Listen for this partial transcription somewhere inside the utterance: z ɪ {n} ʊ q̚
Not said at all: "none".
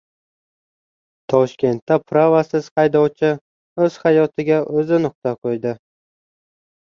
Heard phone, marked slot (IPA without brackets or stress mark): n